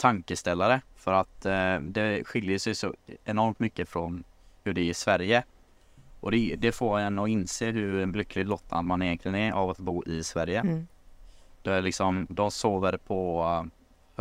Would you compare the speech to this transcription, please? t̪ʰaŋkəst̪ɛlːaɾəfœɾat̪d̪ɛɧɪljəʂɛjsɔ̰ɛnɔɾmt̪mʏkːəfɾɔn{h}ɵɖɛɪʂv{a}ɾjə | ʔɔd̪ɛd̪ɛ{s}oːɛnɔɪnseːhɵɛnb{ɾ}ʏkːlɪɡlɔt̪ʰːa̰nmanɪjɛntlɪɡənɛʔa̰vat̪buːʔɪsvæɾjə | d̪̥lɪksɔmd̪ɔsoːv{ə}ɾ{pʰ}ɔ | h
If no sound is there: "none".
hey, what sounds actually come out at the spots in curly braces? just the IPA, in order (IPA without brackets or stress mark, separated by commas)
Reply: h, æ, f, l, ə, pʰ